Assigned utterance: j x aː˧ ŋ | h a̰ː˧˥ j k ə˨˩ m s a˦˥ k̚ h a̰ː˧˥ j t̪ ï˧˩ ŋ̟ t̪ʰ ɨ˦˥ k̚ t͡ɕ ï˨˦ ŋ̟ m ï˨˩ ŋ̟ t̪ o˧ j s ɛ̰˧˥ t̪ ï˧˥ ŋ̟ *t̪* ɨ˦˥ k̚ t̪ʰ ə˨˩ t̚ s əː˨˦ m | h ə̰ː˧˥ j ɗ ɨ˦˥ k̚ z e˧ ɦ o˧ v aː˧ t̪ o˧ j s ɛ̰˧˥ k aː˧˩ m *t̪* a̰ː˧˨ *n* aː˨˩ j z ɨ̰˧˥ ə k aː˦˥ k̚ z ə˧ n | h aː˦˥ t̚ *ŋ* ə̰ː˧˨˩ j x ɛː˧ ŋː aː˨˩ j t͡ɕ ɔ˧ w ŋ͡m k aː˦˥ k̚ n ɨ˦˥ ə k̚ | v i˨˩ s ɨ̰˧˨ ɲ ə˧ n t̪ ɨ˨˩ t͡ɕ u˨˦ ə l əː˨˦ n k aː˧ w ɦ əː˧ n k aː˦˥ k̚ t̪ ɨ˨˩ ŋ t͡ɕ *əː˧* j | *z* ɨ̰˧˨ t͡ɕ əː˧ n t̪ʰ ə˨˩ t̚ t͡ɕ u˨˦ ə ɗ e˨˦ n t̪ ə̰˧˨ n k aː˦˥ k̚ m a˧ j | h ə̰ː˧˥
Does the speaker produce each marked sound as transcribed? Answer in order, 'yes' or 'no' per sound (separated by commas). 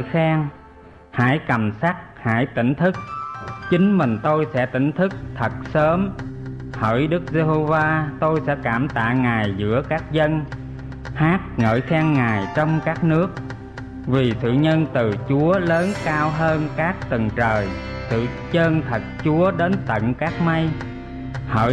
no, yes, no, yes, no, no